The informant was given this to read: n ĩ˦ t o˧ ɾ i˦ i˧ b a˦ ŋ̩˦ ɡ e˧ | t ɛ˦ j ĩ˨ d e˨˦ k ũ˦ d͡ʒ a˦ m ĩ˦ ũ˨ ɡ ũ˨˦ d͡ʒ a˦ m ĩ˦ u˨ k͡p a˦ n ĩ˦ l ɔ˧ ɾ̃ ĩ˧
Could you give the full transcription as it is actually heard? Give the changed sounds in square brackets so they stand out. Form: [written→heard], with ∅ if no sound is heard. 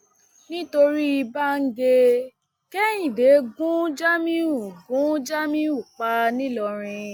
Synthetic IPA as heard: n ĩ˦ t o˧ ɾ i˦ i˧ b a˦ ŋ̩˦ ɡ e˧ | [t→k] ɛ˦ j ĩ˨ d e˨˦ [k→ɡ] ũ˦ d͡ʒ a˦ m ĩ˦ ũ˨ ɡ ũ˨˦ d͡ʒ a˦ m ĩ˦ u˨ k͡p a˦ n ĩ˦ l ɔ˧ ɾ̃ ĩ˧